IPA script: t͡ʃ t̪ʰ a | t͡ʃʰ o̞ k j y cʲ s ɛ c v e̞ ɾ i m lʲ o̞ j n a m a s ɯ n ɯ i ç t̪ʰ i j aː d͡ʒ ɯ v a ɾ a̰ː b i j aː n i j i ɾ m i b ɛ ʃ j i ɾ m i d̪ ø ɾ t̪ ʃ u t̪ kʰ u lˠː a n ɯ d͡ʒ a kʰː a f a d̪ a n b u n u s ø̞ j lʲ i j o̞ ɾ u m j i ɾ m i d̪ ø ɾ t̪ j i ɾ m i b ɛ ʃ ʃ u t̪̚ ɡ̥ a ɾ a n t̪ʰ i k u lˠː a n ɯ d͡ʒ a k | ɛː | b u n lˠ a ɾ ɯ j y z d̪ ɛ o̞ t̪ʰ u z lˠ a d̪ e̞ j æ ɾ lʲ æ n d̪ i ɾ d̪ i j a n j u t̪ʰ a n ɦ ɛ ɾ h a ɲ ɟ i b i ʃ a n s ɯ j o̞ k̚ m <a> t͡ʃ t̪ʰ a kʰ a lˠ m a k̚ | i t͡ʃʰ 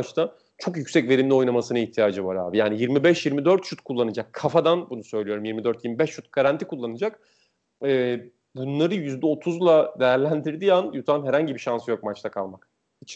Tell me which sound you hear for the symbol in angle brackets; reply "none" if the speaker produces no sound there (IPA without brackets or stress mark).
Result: a